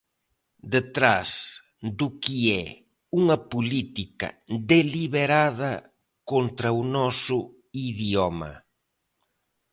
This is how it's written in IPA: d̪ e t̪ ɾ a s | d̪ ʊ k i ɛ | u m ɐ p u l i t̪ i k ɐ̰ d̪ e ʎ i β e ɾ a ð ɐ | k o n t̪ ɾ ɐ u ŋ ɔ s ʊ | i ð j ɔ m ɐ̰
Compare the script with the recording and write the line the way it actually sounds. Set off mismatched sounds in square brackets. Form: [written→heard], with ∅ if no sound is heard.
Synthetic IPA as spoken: d̪ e t̪ ɾ a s | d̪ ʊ k i ɛ | u [m→ŋ] ɐ p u l i t̪ i k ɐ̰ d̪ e [ʎ→l] i β e ɾ a ð ɐ | k o n t̪ ɾ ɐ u [ŋ→n] ɔ s ʊ | i ð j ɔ m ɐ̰